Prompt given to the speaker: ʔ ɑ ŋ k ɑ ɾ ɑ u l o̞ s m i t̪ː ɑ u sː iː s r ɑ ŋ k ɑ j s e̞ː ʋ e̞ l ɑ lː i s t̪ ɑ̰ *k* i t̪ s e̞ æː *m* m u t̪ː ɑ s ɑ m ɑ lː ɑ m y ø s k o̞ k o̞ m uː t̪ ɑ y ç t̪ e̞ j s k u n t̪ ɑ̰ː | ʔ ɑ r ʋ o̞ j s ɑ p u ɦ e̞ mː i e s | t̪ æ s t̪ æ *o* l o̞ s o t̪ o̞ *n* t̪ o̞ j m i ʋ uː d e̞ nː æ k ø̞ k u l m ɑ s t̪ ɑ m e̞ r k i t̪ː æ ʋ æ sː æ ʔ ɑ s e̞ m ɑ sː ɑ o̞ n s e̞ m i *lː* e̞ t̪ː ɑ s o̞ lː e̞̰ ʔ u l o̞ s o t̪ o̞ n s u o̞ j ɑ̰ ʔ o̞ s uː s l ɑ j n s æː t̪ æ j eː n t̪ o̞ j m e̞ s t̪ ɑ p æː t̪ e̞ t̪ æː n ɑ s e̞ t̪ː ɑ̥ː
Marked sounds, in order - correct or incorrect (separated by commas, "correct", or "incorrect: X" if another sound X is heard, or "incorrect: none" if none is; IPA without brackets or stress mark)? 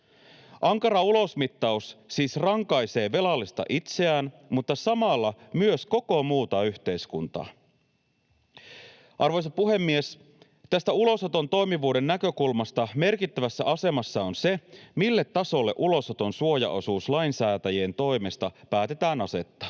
incorrect: ʔ, incorrect: n, incorrect: u, correct, correct